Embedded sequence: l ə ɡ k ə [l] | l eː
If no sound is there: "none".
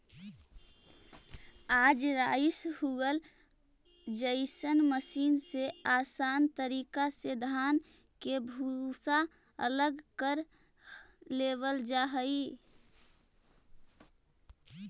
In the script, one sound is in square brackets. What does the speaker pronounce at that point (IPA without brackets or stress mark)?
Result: ɾ